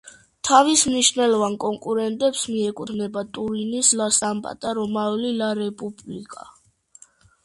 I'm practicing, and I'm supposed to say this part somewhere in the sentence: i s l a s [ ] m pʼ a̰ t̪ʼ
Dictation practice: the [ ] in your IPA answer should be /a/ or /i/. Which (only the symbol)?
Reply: a